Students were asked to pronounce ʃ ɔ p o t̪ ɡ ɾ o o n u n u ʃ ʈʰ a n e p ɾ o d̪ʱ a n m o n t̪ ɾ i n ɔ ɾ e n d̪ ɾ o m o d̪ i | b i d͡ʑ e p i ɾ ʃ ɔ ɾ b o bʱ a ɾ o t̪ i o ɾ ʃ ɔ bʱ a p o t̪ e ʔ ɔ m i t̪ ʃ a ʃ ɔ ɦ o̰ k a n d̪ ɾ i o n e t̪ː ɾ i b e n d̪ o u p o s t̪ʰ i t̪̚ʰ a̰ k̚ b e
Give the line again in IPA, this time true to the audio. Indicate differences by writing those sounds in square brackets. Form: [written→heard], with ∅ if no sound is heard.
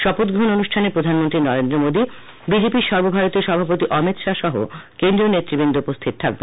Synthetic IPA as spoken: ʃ ɔ p o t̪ ɡ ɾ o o n [u→o] n u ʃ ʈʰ a n e p ɾ o d̪ʱ a n m o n t̪ ɾ i n ɔ ɾ e n d̪ ɾ o m o d̪ i | b i d͡ʑ e p i ɾ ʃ ɔ ɾ b o bʱ a ɾ o t̪ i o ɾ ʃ ɔ bʱ a p o t̪ [e→i] ʔ ɔ m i t̪ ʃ a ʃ ɔ ɦ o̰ k [a→e] n d̪ ɾ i o n e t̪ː ɾ i b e n d̪ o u p o s t̪ʰ i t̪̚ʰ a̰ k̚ b e